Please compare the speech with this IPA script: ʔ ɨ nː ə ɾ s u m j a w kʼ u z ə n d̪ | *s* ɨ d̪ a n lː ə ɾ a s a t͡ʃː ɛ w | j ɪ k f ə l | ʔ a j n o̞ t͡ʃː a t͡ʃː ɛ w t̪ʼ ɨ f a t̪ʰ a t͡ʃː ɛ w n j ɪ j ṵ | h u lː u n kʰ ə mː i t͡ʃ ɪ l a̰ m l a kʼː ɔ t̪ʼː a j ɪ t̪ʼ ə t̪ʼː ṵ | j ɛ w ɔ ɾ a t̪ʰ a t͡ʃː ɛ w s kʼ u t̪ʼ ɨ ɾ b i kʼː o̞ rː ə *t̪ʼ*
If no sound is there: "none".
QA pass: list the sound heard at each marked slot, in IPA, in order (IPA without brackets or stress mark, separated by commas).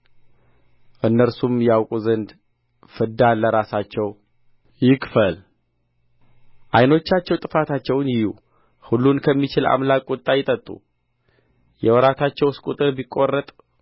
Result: f, t̪ʼ